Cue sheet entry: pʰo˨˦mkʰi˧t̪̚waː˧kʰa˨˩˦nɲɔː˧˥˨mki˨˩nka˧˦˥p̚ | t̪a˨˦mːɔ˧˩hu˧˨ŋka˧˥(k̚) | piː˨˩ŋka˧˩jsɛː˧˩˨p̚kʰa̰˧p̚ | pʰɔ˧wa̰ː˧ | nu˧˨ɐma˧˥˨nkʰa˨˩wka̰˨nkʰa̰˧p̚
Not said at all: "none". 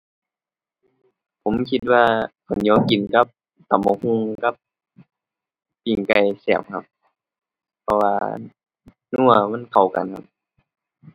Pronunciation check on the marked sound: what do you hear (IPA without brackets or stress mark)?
p̚